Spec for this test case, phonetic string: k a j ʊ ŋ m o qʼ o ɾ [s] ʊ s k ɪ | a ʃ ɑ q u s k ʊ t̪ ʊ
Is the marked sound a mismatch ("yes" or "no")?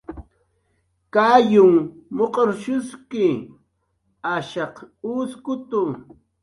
yes